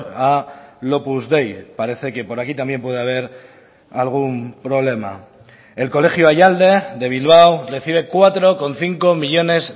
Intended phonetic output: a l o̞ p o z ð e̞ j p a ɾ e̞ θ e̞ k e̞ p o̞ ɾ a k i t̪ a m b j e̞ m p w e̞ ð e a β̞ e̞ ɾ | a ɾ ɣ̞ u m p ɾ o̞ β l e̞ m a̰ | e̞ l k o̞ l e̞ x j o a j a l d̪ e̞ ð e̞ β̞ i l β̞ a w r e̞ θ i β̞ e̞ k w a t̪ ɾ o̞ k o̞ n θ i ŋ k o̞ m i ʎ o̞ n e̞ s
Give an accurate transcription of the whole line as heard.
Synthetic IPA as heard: a l o̞ p u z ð e̞ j p a ɾ e̞ θ e̞ k e̞ p o̞ ɾ a k i t̪ a m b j e̞ m p w e̞ ð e a β̞ e̞ ɾ | a l ɣ̞ u m p ɾ o̞ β l e̞ m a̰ | e̞ l k o̞ l e̞ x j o a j a l d̪ e̞ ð e̞ β̞ i l β̞ a w r e̞ θ i β̞ e̞ k w a t̪ ɾ o̞ k o̞ n θ i ŋ k o̞ m i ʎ o̞ n e̞ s